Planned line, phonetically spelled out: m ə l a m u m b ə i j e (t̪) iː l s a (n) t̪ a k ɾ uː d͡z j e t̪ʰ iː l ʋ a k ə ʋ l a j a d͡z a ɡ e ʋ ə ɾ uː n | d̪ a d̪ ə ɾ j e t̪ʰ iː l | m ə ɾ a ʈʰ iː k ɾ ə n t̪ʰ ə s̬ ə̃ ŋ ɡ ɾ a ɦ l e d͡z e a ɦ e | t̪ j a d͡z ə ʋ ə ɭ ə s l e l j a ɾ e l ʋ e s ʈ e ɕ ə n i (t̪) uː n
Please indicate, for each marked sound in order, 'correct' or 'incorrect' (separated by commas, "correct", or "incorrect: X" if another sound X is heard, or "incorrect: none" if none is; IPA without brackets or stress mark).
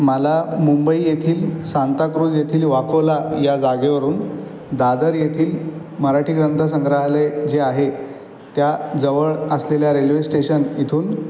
incorrect: t̪ʰ, correct, incorrect: t̪ʰ